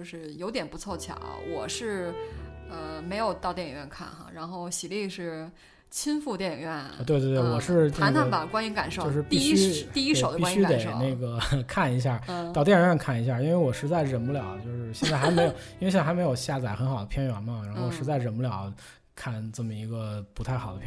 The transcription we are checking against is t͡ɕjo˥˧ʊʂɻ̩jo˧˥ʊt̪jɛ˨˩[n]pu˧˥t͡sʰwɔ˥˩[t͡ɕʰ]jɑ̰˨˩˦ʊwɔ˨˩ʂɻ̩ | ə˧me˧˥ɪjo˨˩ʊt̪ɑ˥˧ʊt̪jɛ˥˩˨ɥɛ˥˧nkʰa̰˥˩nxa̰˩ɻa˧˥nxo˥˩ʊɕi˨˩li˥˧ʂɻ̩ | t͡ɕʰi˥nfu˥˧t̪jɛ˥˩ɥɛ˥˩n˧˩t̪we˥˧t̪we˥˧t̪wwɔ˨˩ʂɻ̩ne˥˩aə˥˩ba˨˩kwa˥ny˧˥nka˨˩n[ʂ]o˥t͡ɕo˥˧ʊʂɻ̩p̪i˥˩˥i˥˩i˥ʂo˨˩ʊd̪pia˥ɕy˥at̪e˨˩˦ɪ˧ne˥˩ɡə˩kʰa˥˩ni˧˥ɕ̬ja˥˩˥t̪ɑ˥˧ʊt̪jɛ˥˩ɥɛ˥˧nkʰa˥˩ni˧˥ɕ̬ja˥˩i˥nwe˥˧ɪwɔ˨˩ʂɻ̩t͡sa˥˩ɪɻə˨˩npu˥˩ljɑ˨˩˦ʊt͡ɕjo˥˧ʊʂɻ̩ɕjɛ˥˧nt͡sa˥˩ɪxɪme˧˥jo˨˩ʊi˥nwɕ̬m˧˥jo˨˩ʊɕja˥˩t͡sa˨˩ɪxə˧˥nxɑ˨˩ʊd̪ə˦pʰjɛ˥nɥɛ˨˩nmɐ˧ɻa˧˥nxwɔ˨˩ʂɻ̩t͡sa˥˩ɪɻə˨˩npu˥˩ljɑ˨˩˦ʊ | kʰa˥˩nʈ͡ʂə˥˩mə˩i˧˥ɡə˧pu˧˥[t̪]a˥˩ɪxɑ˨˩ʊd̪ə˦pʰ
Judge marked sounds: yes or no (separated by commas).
yes, yes, yes, no